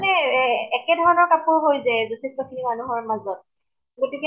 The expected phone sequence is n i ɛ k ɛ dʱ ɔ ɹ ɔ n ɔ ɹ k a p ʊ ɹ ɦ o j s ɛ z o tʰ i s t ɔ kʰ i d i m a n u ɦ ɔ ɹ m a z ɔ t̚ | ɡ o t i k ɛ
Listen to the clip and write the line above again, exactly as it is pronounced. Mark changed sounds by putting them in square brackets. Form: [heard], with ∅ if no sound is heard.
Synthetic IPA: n [ɛ] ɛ k ɛ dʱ ɔ ɹ ɔ n ɔ ɹ k a p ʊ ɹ ɦ o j [z] ɛ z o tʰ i s t ɔ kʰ i [n] i m a n u ɦ ɔ ɹ m a z ɔ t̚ | ɡ o t i k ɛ